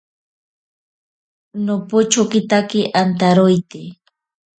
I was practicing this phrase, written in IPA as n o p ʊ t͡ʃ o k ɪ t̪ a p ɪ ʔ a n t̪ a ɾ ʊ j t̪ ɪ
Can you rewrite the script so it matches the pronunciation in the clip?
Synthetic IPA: n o p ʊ t͡ʃ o k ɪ t̪ a k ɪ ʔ a n t̪ a ɾ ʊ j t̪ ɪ